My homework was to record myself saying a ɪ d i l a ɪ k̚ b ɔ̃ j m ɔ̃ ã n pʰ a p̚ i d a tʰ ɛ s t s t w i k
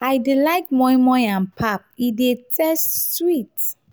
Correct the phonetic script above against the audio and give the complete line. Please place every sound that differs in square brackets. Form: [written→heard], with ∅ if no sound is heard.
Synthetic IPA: a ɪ d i l a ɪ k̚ [b→m] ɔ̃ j m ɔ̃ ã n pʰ a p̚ i d [a→e] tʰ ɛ s t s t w i [k→t]